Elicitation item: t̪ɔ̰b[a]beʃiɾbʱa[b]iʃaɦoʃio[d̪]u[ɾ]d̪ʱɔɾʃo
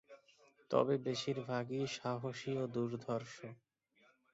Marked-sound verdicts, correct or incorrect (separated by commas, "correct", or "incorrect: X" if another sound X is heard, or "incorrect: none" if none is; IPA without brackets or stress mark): incorrect: e, incorrect: ɡ, correct, correct